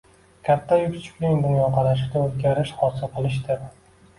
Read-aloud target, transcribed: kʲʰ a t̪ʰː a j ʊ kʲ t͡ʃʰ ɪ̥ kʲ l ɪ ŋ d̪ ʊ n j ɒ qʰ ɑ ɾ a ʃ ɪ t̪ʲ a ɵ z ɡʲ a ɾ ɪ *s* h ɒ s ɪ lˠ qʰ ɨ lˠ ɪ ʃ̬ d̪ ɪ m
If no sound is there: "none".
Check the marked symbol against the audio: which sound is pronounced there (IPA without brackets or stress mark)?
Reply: ʃ